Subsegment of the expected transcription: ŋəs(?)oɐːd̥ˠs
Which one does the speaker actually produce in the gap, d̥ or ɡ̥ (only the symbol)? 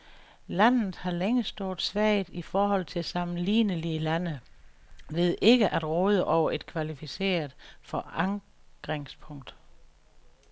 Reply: d̥